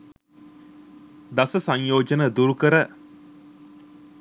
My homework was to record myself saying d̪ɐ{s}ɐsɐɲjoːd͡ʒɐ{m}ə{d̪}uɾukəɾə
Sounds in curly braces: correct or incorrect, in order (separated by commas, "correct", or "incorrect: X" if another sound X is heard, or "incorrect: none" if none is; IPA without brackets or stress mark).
correct, incorrect: n, correct